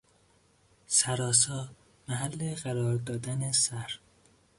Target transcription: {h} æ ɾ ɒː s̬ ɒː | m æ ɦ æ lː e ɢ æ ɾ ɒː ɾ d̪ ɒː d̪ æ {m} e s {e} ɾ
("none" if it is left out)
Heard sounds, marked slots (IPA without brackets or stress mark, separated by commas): s, n, æ